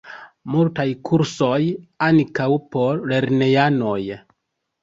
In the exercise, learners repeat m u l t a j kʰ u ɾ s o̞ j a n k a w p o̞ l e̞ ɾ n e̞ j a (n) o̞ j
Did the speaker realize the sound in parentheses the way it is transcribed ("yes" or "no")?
yes